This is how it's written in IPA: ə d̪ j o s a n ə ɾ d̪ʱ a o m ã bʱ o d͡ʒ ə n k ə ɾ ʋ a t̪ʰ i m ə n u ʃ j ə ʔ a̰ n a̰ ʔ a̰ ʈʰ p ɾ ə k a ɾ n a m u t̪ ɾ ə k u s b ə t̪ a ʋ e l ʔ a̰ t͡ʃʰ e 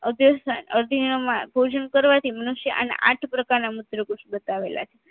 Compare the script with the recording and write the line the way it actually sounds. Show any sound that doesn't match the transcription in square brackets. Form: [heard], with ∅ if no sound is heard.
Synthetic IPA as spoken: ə d̪ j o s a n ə ɾ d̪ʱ [i] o m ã bʱ o d͡ʒ ə n k ə ɾ ʋ a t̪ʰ i m ə n u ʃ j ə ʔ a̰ n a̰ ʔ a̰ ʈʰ p ɾ ə k a ɾ n a m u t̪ ɾ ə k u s b ə t̪ a ʋ e l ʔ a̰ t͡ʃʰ e